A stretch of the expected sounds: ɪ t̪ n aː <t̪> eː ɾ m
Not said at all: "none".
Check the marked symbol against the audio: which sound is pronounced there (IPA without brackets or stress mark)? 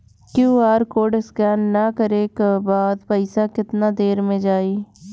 d̪